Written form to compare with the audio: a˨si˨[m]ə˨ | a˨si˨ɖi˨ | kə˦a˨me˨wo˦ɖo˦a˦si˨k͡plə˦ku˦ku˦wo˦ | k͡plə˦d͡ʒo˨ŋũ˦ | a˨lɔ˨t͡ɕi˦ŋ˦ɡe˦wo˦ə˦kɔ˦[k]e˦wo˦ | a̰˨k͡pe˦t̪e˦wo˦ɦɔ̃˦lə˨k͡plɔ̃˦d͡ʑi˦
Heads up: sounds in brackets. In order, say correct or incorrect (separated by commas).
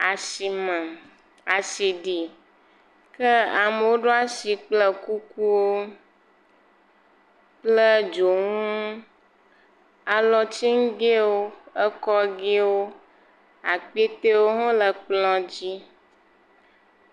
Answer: correct, incorrect